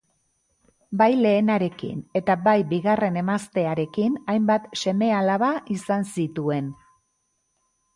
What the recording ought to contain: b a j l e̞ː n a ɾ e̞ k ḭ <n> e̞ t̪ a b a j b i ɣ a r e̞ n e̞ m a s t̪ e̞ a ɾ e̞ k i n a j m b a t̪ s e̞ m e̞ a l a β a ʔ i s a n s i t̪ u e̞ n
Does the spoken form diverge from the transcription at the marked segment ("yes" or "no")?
no